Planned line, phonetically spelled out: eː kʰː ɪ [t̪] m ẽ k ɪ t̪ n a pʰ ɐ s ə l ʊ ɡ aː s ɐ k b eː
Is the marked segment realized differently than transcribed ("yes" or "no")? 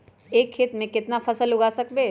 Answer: no